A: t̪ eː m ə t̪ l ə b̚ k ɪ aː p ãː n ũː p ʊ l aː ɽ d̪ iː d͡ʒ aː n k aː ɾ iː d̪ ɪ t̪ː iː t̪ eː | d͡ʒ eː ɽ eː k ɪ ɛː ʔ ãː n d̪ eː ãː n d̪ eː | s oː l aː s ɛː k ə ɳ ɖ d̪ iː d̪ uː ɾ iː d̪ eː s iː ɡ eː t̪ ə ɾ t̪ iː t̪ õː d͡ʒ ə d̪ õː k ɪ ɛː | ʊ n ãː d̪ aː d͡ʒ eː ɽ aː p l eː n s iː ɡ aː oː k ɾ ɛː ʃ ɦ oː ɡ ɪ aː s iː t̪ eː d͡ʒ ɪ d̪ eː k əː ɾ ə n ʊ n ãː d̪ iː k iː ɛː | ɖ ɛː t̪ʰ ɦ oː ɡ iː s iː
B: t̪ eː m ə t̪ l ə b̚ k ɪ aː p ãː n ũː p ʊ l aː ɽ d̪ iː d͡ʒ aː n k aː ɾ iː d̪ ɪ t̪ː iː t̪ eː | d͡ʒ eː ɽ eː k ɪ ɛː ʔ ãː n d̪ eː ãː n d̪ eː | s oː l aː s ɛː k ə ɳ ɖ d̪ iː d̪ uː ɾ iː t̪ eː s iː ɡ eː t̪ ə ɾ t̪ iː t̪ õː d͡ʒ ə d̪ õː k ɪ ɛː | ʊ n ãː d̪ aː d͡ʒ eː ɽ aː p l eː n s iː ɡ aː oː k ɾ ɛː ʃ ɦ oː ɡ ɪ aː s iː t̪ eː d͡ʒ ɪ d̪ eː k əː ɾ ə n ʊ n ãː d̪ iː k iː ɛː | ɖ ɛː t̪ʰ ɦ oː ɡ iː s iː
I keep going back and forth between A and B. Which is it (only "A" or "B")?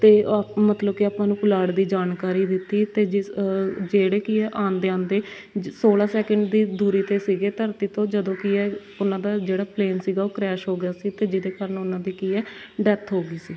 B